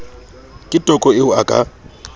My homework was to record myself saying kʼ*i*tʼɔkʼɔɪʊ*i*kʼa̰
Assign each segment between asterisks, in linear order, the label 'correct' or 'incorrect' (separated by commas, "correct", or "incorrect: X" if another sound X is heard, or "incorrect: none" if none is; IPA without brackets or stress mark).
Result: incorrect: ɪ, incorrect: a